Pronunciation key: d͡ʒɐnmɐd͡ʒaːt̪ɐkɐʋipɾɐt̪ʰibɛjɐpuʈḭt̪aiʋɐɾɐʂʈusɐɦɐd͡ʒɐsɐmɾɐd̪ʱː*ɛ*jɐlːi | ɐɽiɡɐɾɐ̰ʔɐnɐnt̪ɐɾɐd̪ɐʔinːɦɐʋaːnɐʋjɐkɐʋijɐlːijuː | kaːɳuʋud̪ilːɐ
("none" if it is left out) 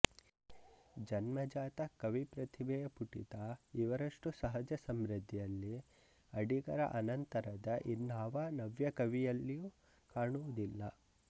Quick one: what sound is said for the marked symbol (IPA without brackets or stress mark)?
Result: i